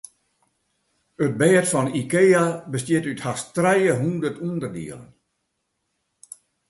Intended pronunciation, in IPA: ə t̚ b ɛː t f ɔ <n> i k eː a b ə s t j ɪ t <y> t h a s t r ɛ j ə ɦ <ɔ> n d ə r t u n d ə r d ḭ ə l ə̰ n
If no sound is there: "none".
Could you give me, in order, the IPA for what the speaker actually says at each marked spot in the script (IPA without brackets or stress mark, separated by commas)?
n, y, u